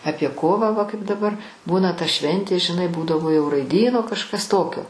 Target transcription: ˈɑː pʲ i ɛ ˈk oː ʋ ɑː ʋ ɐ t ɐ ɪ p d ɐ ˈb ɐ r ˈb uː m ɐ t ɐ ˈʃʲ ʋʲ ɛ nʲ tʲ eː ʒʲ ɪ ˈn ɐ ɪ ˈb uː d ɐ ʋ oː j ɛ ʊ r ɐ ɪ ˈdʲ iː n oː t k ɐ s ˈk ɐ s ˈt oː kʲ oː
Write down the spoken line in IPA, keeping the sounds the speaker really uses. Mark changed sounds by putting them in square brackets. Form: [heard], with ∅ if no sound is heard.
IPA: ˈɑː pʲ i ɛ ˈk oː ʋ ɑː ʋ ɐ [k] ɐ ɪ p d ɐ ˈb ɐ r ˈb uː [n] ɐ t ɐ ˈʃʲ ʋʲ ɛ nʲ tʲ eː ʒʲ ɪ ˈn ɐ ɪ ˈb uː d ɐ ʋ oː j ɛ ʊ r ɐ ɪ ˈdʲ iː n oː [∅] k ɐ [ʃ] ˈk ɐ s ˈt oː kʲ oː